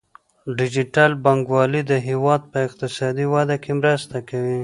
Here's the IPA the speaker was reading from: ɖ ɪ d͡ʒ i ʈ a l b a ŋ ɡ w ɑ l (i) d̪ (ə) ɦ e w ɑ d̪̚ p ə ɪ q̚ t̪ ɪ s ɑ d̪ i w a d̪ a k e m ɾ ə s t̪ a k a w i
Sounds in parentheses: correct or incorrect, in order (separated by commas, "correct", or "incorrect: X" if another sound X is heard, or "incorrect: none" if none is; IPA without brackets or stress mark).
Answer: correct, correct